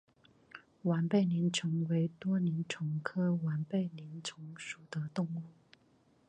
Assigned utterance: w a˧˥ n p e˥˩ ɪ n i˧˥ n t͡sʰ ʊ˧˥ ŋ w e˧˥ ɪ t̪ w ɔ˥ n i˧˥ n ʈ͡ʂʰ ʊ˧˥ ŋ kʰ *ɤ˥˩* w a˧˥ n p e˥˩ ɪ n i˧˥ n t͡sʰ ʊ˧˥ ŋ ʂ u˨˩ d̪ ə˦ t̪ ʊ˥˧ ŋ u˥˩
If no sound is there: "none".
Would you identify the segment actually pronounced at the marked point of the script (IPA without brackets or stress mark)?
ɤ˥